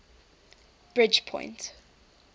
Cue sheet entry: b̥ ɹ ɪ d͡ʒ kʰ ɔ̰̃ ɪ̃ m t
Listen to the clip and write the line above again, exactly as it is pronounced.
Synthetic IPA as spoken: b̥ ɹ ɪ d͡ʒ pʰ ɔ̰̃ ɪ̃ n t